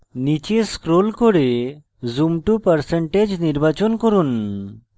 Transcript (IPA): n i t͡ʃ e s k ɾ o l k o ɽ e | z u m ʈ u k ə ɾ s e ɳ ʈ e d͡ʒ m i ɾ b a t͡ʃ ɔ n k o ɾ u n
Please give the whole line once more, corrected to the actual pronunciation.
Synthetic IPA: n i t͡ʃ e s k ɾ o l k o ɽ e | z u m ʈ u p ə ɾ s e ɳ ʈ e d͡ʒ n i ɾ b a t͡ʃ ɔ n k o ɾ u n